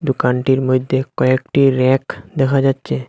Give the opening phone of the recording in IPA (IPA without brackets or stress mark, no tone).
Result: d̪